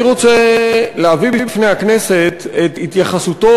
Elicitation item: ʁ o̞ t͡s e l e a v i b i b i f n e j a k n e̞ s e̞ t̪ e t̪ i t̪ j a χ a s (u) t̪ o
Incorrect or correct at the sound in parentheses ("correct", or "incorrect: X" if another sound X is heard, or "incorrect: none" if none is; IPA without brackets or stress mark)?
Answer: correct